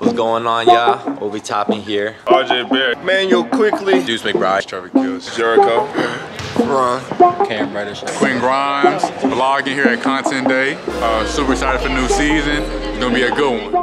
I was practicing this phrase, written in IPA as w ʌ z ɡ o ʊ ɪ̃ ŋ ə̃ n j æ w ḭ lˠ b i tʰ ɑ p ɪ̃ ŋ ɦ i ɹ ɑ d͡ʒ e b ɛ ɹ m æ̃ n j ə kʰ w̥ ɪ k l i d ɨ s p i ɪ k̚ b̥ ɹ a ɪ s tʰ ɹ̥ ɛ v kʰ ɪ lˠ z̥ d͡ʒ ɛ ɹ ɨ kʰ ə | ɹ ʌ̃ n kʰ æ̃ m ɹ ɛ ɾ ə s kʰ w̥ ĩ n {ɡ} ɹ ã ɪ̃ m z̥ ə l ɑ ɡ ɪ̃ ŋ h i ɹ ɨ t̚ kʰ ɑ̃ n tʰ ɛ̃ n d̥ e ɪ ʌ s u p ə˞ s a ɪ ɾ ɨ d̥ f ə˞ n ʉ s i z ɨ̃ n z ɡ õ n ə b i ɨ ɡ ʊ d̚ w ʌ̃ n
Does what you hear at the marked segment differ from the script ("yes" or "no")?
no